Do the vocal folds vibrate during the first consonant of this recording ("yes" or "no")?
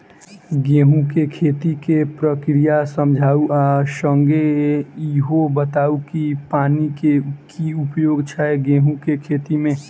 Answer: yes